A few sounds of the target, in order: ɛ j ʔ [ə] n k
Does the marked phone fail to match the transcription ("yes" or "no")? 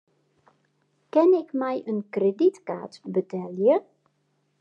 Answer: no